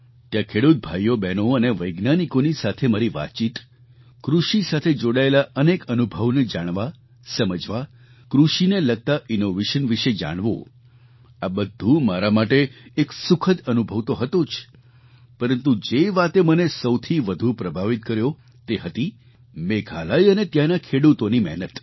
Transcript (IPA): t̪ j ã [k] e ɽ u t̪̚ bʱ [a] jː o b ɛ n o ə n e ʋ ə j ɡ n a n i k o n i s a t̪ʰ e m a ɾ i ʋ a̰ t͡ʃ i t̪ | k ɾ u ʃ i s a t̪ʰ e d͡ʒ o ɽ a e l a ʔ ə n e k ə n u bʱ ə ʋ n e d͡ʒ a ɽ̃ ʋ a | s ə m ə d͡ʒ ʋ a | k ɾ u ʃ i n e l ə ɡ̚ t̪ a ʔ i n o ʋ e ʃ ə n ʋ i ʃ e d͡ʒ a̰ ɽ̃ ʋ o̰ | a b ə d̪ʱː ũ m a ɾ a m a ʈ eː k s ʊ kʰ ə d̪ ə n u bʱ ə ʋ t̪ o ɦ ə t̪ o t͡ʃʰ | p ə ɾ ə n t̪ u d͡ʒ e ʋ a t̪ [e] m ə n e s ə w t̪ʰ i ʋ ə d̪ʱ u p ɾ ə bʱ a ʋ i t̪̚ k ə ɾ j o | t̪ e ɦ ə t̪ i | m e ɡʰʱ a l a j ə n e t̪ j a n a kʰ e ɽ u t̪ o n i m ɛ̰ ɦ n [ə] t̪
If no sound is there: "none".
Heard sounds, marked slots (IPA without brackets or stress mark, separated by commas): kʰ, a, e, ə